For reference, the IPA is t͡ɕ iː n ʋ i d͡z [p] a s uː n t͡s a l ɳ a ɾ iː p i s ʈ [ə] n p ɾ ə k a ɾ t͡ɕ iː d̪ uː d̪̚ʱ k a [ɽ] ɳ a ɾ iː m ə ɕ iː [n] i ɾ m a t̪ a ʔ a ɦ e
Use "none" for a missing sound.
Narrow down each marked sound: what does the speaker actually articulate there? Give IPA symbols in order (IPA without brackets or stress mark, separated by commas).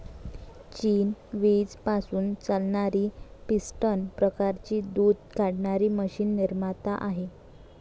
p, ə, ɽ, nː